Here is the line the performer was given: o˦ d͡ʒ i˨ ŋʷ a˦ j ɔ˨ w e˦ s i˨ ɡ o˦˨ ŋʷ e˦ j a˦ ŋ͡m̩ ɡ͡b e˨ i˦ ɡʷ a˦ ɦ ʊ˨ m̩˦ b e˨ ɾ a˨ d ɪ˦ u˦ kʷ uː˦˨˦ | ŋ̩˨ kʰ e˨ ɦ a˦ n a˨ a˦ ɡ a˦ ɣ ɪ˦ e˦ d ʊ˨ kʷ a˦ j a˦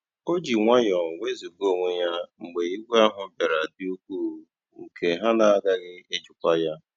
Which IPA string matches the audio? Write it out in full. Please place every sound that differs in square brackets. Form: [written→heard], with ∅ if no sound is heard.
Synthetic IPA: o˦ d͡ʒ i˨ ŋʷ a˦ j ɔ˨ w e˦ [s→z] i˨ ɡ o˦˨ ŋʷ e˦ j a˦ ŋ͡m̩ ɡ͡b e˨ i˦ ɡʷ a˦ ɦ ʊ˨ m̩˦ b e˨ ɾ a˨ d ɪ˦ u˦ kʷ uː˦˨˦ | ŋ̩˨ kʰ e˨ ɦ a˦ n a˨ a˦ ɡ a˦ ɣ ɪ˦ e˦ [d→d͡ʒ] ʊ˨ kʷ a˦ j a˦